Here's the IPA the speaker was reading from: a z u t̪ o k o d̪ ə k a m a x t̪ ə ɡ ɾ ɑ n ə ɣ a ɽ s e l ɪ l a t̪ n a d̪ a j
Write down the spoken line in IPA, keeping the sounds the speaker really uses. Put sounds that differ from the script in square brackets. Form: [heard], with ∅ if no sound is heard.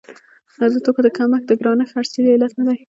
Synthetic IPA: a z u t̪ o k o d̪ ə k a m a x [d̪] ə ɡ ɾ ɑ n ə [x] a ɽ s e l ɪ l a t̪ n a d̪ a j